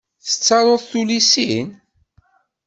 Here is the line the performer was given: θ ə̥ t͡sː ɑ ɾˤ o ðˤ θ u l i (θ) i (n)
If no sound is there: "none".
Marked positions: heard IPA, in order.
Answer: s, n

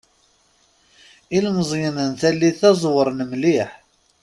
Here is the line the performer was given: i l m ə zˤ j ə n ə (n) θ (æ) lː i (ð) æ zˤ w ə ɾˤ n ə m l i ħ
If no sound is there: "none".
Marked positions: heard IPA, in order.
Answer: n, æ, θ

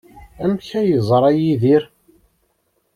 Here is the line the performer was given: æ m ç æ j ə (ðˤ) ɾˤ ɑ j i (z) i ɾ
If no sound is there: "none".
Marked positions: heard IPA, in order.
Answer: zˤ, ð

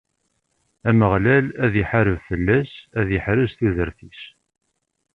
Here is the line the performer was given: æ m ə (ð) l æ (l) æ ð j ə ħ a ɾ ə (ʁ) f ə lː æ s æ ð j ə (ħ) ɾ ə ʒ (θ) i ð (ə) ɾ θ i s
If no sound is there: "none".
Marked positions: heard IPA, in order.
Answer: ʁ, l, v, ħ, θ, ə

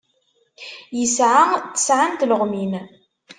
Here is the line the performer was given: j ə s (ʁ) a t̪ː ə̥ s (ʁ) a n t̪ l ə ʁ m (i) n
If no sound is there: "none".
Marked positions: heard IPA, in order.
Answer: ʕ, ʕ, i

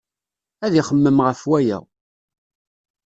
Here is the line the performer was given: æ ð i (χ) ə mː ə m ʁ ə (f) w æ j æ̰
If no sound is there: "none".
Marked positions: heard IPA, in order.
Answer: χ, f

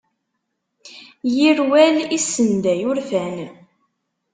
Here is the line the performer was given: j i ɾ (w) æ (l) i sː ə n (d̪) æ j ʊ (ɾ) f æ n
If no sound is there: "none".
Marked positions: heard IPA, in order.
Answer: w, l, d̪, ɾ

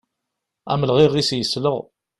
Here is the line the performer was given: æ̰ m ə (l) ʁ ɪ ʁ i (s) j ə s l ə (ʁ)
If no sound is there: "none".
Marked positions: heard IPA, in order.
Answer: l, s, ʁ

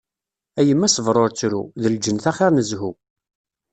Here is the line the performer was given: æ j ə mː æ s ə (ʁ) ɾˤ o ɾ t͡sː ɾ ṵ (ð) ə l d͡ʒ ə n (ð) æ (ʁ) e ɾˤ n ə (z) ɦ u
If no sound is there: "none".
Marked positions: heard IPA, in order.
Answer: v, ð, θ, χ, z

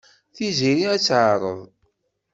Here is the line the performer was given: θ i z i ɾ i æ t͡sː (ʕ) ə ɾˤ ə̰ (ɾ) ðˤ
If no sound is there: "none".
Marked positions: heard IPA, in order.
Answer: ʕ, none

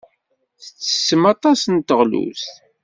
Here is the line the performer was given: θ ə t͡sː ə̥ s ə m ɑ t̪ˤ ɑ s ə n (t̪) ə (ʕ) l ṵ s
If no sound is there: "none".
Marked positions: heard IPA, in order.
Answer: t̪, ʁ

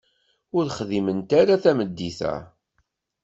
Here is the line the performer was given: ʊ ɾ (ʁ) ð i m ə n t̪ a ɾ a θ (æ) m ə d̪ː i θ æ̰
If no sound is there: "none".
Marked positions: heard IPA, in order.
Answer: χ, æ

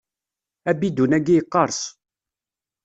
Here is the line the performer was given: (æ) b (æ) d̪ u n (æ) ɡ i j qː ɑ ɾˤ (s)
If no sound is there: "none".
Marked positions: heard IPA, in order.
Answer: æ, i, æ, s

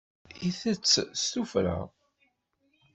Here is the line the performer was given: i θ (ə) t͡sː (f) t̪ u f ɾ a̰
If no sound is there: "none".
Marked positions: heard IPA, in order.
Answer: ə, s

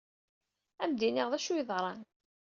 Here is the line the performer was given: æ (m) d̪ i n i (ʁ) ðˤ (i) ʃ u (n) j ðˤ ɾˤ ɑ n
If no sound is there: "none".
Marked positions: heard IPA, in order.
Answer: m, ʁ, æ, none

